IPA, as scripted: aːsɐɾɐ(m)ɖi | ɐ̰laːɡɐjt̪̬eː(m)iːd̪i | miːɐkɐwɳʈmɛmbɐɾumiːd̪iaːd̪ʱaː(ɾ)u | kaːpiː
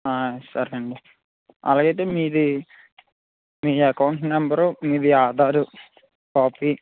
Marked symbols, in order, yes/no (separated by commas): no, yes, yes